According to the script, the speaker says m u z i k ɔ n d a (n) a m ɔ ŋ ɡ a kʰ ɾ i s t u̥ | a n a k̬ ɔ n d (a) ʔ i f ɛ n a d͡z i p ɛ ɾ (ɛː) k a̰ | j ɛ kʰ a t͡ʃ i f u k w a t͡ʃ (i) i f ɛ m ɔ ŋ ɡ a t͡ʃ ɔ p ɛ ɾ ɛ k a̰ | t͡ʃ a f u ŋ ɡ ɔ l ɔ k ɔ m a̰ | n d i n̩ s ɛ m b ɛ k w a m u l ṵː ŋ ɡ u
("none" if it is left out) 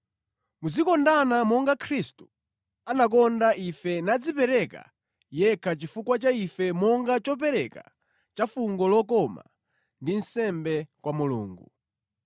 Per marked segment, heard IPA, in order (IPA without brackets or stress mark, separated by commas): n, a, ɛ, a